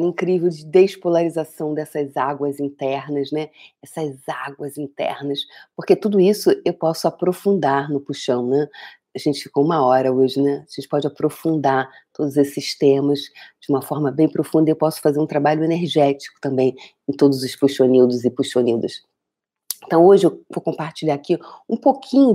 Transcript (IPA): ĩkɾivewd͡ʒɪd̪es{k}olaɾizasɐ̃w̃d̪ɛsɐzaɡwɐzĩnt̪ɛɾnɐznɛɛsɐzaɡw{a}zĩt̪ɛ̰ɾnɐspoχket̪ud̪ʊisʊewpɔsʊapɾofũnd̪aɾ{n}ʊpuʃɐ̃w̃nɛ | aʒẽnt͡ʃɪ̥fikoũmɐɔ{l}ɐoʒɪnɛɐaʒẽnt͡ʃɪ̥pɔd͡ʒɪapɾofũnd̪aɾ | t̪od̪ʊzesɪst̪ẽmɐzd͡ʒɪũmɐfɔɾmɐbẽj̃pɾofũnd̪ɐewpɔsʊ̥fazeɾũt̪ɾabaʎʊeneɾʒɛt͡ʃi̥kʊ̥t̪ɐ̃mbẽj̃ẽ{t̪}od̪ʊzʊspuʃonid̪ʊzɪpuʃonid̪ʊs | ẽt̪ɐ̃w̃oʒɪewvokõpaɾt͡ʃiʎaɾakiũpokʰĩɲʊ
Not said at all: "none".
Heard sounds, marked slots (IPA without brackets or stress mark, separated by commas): p, ɐ, n, ɾ, t̪